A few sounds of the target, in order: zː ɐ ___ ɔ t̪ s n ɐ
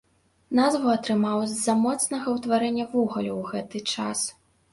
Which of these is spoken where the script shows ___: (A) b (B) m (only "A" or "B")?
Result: B